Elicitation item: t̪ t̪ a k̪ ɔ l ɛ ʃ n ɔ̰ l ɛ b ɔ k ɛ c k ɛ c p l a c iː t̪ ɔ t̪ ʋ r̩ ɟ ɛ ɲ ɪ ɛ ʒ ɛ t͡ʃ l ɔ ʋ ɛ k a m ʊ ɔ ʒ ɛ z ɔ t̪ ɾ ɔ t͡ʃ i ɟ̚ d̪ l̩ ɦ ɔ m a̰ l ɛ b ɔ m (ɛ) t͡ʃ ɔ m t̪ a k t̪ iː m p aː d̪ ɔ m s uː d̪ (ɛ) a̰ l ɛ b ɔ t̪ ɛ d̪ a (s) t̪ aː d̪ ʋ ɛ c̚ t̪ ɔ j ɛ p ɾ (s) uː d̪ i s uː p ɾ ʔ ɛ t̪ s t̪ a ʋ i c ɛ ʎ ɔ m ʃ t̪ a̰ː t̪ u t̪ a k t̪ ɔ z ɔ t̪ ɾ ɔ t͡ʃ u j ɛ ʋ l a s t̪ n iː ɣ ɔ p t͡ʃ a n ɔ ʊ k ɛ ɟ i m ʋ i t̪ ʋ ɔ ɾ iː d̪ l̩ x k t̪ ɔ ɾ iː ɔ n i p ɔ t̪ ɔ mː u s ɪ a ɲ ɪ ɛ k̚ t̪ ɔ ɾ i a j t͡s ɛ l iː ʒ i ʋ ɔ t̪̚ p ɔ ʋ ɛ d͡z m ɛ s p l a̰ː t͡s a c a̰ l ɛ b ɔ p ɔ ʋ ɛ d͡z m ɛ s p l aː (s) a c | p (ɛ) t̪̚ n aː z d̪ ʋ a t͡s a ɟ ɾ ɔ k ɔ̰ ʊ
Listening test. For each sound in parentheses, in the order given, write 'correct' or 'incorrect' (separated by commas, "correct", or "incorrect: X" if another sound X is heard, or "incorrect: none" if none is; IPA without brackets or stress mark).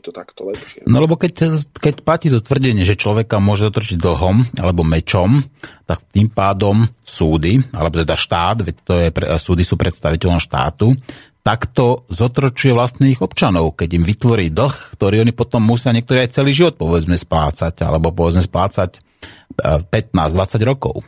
correct, incorrect: i, incorrect: ʃ, correct, incorrect: t͡s, correct